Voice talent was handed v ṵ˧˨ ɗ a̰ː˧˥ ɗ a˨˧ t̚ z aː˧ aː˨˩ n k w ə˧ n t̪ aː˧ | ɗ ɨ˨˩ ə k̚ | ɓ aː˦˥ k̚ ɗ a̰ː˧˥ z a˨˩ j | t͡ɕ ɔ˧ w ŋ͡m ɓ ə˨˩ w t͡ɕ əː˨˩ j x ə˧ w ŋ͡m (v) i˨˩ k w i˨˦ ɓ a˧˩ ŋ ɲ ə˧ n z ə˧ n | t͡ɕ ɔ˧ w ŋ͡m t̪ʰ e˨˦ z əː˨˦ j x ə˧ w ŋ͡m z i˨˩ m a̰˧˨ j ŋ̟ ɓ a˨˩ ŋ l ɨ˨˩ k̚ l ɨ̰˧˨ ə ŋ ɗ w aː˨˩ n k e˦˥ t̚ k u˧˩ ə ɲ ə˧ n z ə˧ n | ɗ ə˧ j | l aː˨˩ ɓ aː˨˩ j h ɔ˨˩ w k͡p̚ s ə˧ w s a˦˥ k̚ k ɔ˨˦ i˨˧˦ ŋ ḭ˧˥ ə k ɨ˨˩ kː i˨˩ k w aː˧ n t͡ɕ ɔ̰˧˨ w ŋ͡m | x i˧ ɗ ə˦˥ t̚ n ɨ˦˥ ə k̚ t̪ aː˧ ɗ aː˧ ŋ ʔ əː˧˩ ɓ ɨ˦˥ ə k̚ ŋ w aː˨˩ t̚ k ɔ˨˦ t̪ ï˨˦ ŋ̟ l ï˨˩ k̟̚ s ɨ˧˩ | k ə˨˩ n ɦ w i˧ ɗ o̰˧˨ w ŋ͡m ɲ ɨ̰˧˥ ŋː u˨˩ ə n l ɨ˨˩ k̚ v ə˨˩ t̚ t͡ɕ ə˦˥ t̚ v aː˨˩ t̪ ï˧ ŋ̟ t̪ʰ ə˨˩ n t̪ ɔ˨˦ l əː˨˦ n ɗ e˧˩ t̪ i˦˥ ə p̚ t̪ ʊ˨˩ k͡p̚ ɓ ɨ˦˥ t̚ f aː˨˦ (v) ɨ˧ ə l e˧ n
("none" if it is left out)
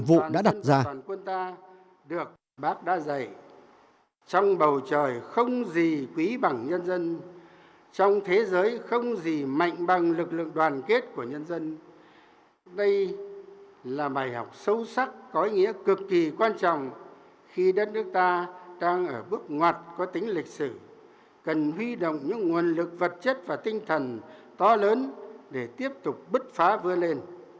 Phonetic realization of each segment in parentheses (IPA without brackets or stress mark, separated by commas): z, v